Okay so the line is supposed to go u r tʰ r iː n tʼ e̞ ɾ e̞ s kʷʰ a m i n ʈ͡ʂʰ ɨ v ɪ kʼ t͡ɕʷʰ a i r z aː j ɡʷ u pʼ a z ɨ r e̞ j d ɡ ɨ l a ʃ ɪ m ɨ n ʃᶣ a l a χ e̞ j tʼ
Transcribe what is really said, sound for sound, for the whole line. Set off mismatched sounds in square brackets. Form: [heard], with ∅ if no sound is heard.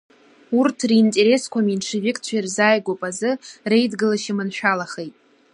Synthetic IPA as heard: u r tʰ r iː n tʼ e̞ ɾ e̞ s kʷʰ a m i n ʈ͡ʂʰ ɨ v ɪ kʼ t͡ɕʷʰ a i r z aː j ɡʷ [o] pʼ a z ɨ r e̞ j d ɡ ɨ l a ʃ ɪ m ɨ n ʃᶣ a l a χ e̞ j tʼ